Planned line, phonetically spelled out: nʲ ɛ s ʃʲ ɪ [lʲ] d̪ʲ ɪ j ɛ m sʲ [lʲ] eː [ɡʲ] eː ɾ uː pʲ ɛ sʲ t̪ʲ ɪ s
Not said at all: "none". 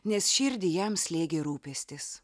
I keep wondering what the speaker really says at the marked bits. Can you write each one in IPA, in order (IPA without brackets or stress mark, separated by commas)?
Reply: ɾʲ, lʲ, ɡʲ